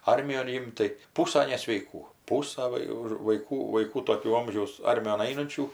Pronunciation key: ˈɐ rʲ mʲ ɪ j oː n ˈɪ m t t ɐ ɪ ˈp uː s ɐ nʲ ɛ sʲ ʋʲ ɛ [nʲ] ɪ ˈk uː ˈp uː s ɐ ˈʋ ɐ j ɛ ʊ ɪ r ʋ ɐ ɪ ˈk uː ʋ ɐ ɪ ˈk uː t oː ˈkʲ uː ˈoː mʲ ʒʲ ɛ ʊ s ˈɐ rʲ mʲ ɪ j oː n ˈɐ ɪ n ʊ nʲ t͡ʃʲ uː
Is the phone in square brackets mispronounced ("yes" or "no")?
yes